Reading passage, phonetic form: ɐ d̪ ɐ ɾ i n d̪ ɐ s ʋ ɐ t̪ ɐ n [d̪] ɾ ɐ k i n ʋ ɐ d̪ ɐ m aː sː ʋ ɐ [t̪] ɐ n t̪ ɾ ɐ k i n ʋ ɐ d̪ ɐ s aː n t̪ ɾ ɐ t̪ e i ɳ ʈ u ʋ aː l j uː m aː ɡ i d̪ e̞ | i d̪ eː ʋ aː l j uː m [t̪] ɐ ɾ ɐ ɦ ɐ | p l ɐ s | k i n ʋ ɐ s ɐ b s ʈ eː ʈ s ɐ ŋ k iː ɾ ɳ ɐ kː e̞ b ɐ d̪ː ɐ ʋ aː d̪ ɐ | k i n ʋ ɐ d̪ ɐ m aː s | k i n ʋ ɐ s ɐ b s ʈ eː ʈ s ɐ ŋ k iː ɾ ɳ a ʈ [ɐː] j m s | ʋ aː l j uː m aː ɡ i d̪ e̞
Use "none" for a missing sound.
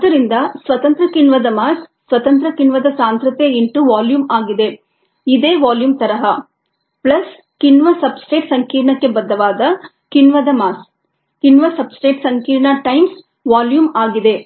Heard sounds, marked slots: t̪, t̪, t̪, ɐ

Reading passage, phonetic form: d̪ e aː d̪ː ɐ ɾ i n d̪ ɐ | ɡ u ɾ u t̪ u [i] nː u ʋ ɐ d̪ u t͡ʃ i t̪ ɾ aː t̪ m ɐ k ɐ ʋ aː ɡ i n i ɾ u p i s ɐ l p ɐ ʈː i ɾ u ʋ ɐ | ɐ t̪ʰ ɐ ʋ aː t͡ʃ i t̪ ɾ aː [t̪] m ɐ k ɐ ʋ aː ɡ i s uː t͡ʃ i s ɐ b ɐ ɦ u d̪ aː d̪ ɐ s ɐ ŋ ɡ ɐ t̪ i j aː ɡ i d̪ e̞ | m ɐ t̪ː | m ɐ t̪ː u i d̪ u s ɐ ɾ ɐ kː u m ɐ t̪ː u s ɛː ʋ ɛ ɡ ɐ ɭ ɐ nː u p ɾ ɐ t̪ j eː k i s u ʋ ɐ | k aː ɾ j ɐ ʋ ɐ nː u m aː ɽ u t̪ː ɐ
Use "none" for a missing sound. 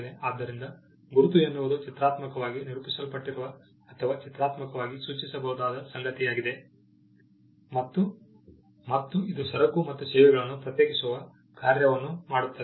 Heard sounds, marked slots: e, t̪

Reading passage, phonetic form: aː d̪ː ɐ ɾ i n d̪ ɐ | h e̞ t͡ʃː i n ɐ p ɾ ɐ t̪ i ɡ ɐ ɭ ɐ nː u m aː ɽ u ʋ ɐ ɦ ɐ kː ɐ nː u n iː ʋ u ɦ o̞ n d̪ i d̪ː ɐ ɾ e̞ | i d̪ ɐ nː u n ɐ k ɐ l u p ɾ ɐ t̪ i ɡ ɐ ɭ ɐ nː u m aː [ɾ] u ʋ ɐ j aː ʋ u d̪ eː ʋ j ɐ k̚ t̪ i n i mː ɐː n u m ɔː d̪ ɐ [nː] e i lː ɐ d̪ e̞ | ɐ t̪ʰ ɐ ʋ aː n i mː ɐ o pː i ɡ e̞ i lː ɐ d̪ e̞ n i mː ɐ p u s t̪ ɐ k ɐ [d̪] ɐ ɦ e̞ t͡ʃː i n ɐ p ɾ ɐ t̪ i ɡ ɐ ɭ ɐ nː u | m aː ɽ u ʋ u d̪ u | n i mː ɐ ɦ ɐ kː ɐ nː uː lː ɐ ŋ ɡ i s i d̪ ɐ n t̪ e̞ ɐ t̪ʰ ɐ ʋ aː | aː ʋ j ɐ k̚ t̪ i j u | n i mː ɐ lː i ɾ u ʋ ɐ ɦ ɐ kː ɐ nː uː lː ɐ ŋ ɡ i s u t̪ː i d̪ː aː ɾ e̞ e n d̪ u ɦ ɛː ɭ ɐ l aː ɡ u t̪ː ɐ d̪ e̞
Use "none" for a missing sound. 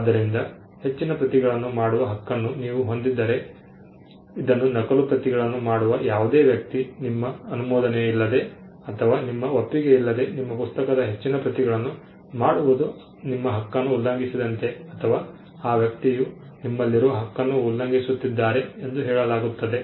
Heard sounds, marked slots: ɽ, n, d̪

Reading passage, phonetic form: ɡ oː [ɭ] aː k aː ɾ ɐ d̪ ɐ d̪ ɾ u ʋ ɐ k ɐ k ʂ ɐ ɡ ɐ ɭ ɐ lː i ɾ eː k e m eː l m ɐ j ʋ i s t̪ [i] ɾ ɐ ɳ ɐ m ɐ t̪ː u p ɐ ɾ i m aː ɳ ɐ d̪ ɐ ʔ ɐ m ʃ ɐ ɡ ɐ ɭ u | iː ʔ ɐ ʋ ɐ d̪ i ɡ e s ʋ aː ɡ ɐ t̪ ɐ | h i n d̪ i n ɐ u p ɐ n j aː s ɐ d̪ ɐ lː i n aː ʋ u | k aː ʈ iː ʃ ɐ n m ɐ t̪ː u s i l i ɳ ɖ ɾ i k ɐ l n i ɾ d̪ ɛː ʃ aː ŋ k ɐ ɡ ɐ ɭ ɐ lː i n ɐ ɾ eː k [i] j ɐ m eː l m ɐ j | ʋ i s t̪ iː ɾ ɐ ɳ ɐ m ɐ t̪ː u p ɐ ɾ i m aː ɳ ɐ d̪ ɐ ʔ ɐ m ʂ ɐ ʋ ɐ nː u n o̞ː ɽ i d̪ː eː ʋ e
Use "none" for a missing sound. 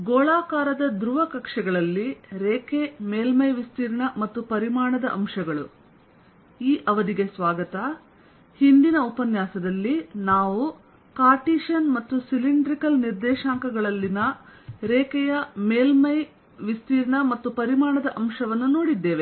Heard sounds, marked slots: ɭ, iː, ɛ

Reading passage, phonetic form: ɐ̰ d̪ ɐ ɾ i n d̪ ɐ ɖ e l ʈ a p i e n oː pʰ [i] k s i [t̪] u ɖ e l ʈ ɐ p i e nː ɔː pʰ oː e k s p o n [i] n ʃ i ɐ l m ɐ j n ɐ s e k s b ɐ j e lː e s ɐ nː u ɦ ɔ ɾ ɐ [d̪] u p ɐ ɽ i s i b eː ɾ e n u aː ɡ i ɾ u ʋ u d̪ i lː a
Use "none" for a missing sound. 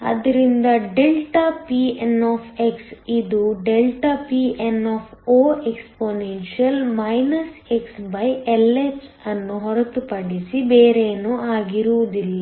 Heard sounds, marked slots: e, d̪, e, t̪

